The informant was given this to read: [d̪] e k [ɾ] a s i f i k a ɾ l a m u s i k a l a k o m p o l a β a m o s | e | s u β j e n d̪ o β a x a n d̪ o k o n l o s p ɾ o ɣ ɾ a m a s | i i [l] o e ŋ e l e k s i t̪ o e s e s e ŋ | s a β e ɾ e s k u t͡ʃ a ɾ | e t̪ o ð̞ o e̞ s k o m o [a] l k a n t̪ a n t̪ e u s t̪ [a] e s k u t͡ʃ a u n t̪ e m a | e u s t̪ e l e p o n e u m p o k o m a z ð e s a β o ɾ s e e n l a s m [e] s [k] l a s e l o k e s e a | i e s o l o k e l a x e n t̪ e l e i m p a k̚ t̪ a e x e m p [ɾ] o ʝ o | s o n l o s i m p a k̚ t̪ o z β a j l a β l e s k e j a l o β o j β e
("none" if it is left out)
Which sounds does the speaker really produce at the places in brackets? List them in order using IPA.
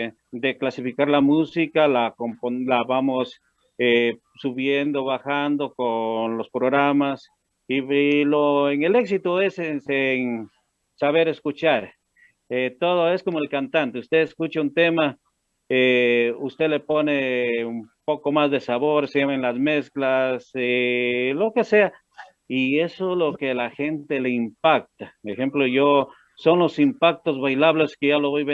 d̪, l, l, e, e, e, k, l

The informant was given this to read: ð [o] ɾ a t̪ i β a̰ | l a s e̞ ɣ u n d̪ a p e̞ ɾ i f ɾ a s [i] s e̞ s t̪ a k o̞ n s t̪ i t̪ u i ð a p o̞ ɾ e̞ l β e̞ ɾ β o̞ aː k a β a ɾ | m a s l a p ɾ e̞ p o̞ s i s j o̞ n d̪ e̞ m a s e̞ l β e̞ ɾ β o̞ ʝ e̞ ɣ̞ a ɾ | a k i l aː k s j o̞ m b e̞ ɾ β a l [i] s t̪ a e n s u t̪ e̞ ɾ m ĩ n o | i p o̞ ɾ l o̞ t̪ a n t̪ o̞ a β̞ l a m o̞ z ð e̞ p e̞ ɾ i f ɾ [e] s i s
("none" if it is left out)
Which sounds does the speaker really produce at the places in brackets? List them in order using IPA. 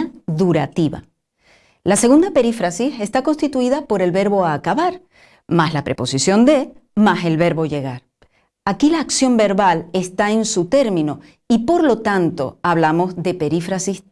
u, i, e, a

